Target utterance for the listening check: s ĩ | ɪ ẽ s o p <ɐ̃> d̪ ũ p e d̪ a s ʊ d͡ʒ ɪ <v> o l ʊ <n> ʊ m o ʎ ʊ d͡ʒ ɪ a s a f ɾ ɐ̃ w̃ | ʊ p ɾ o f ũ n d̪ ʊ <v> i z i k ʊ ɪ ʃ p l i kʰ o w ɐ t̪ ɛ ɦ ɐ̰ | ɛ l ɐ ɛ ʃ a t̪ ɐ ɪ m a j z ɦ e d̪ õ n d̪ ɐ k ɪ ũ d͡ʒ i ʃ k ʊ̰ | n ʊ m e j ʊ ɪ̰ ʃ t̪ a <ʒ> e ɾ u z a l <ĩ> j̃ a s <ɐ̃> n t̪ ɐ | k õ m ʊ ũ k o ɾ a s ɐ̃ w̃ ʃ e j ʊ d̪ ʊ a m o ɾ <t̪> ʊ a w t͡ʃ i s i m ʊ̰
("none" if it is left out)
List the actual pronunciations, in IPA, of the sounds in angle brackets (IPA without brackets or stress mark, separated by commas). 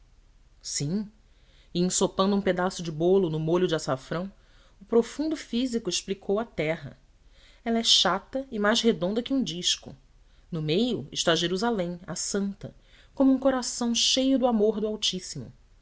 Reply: ɐ̃, b, n, f, ʒ, ẽ, ɐ̃, d̪